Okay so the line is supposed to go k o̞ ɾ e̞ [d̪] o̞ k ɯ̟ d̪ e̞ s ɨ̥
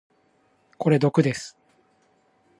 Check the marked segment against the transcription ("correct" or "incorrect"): correct